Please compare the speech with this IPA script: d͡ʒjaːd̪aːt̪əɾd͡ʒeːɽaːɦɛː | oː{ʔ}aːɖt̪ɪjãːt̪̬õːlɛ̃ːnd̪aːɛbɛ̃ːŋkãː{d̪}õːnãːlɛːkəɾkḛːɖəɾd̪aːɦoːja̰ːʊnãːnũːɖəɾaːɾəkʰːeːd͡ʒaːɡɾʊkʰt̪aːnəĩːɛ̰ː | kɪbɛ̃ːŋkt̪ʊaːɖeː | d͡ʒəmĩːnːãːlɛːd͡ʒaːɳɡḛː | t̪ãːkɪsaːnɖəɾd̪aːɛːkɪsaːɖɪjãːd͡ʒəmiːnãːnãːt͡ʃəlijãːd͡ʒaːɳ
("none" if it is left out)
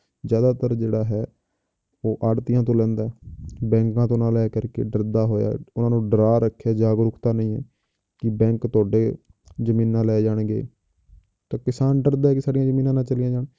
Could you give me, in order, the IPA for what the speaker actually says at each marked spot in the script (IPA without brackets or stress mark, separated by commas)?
ʔ, t̪